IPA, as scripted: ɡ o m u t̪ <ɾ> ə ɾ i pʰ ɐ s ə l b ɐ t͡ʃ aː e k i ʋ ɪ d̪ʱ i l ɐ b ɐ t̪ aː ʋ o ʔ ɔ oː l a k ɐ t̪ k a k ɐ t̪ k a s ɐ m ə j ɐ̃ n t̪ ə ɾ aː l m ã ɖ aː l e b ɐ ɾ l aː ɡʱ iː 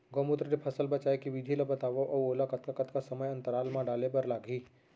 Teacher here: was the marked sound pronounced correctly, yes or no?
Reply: yes